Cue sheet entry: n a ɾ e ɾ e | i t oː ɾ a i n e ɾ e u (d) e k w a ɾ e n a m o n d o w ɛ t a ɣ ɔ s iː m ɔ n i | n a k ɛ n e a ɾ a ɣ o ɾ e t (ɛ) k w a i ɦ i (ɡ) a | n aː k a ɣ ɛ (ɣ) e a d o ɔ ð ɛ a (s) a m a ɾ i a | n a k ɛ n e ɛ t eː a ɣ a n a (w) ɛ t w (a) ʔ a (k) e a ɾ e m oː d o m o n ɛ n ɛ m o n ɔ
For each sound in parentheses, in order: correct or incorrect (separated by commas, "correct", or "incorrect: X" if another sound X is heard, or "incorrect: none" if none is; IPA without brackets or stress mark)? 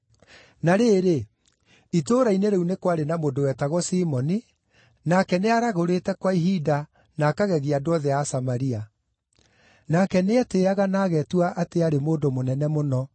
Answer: incorrect: n, correct, incorrect: d, correct, correct, incorrect: ɣ, correct, incorrect: t